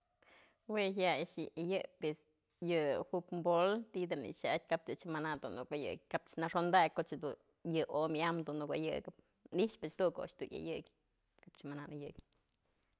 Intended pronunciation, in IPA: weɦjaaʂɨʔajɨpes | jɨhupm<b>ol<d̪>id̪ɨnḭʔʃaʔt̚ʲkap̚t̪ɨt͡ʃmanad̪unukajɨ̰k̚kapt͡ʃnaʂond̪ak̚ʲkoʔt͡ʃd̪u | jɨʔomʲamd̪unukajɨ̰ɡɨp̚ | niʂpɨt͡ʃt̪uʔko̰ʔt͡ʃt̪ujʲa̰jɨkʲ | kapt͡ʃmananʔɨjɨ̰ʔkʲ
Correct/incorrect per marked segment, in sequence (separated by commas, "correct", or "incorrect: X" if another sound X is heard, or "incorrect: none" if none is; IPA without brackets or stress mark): correct, incorrect: t̪